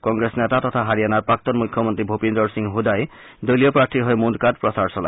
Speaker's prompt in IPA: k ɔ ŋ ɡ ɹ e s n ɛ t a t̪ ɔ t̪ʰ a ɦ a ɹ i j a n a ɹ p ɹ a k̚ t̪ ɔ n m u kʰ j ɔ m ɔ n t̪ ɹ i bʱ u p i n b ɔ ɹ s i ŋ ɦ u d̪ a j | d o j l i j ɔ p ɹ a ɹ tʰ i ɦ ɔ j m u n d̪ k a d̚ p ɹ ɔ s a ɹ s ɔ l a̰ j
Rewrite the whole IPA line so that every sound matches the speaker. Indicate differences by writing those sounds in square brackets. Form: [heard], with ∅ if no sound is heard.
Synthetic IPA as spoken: k ɔ ŋ ɡ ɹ e s n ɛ t a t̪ ɔ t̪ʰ a ɦ a ɹ i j a n a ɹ p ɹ a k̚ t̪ ɔ n m u kʰ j ɔ m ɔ n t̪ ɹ i bʱ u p i n [d] ɔ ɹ s i ŋ ɦ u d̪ a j | d o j l i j ɔ p ɹ a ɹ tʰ i ɦ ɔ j m u n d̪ k a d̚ p ɹ ɔ s a ɹ s ɔ l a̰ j